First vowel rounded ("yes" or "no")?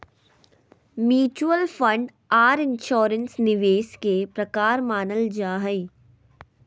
yes